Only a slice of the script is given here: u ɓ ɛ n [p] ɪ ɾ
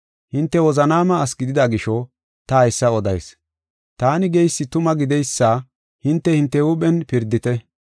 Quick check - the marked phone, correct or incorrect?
correct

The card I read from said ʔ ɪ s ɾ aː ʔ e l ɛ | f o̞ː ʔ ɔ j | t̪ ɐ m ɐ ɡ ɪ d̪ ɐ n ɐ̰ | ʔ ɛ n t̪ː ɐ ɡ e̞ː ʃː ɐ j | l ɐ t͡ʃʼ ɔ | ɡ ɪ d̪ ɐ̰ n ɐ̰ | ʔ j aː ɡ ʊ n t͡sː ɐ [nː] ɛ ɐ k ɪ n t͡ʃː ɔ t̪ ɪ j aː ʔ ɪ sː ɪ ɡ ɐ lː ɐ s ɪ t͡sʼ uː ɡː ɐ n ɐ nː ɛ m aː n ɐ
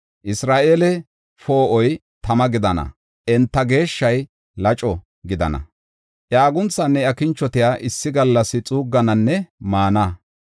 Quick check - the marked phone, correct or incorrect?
correct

